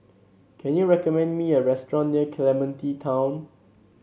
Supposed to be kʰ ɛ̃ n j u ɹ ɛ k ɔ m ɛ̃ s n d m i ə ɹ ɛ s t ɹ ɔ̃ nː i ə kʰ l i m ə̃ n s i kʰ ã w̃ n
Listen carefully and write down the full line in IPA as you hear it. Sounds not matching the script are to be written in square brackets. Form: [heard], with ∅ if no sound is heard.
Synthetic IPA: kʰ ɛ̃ n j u ɹ ɛ k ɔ m ɛ̃ [∅] n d m i ə ɹ ɛ s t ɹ ɔ̃ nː i ə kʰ l [ɛ] m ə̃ n [t] i [tʰ] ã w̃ n